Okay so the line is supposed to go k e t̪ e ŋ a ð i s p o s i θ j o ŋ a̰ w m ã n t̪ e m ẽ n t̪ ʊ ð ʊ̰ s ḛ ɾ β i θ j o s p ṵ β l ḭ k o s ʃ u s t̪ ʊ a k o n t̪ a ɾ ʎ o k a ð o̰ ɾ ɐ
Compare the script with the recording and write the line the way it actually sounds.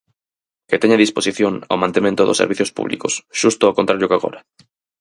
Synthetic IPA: k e t̪ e ɲ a ð i s p o s i θ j o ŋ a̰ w m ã n t̪ e m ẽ n t̪ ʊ ð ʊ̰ s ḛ ɾ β i θ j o s p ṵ β l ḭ k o s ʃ u s t̪ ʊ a k o n t̪ a ɾ ʎ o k a ɣ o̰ ɾ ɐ